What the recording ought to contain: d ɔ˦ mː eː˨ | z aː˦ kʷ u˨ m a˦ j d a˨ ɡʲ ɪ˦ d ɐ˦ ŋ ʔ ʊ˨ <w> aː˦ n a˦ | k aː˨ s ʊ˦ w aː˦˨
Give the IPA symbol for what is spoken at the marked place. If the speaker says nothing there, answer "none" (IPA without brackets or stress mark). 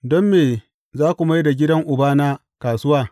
b